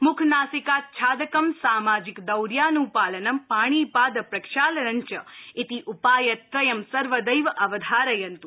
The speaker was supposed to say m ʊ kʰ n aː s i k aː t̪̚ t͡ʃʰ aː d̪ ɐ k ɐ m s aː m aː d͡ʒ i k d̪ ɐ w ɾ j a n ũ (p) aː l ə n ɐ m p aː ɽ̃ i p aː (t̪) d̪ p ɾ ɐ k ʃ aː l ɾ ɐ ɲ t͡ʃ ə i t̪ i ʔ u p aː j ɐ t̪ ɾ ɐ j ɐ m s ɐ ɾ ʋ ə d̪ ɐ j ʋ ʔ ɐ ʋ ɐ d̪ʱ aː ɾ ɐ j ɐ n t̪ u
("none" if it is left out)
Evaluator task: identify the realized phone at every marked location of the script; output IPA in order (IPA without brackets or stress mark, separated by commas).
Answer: p, none